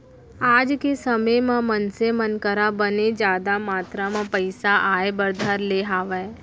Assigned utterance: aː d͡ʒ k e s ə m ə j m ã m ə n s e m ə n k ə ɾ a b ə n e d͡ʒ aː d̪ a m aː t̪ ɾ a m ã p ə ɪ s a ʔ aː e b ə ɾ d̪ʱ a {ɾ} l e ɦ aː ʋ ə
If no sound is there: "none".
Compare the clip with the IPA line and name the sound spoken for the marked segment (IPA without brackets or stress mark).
ɾ